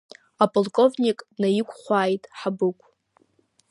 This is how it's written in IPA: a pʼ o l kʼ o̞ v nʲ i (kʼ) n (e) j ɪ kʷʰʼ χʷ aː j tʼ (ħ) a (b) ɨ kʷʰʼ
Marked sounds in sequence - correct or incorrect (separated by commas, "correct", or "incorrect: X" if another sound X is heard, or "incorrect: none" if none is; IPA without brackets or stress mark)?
correct, incorrect: a, correct, correct